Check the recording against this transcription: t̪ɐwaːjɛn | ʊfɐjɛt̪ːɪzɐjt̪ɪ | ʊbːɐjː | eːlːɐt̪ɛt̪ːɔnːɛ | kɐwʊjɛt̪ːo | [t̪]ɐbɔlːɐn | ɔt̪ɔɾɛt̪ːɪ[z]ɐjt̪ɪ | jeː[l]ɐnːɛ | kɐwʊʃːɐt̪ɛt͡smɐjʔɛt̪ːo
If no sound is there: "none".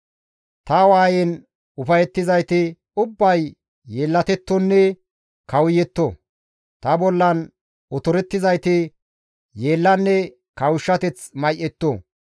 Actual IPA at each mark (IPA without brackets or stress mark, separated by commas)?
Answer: t̪, z, lː